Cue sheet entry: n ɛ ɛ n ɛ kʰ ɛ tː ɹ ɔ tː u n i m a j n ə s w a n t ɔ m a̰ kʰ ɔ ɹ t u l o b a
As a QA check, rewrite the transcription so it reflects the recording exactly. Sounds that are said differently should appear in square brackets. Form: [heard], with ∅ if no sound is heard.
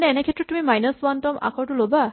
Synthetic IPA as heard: n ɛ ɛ n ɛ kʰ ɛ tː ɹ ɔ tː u [m] i m a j n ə s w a n t ɔ m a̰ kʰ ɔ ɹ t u l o b a